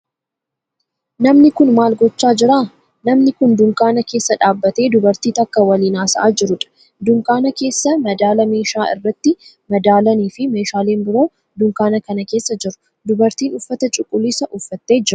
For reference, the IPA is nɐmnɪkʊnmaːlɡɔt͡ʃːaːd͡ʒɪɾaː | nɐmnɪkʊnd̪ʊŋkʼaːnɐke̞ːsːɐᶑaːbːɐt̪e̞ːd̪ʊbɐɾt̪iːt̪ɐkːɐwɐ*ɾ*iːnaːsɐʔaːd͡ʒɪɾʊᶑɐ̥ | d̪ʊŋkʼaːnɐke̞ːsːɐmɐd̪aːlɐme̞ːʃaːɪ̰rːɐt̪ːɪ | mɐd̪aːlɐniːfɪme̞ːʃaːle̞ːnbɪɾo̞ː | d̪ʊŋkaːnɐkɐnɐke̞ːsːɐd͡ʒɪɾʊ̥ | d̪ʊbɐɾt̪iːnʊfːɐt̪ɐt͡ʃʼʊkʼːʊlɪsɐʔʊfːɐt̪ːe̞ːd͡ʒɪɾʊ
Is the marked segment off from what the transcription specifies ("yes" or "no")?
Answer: yes